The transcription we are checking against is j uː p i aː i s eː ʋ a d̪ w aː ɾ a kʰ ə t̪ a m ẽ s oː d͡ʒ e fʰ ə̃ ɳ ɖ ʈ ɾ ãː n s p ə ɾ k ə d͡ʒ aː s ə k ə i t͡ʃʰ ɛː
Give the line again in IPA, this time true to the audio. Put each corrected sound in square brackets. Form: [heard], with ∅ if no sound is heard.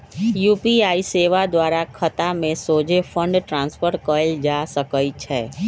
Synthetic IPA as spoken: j uː p i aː i s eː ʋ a d̪ w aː ɾ a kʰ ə t̪ a m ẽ s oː d͡ʒ e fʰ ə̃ ɳ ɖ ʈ ɾ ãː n s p ə ɾ k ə d͡ʒ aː s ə k ə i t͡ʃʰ ɛː